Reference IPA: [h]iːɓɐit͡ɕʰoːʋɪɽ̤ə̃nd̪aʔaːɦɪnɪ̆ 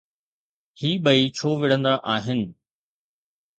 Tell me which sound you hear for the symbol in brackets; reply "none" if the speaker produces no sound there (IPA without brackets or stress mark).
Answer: h